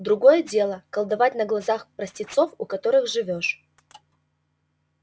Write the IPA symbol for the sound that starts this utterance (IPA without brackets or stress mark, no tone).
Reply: d̪